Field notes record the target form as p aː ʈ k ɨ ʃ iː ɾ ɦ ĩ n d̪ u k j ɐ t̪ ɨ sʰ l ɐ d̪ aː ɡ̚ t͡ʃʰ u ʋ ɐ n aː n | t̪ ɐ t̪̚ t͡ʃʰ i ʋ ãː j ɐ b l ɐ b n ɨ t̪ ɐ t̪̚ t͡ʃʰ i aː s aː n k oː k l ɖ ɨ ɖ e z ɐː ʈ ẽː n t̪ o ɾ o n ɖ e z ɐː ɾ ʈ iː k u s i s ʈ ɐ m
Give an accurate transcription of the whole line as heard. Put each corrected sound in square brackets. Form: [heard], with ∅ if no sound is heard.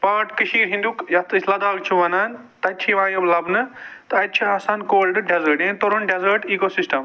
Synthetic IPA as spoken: p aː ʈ k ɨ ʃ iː ɾ ɦ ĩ n d̪ u k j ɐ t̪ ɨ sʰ l ɐ d̪ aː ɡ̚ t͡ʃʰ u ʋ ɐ n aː n | t̪ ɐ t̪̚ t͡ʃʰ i ʋ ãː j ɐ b l ɐ b n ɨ t̪ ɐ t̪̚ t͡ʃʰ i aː s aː n k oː [∅] l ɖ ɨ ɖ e z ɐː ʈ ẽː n t̪ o ɾ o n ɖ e z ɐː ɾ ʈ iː k [o] s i s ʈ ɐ m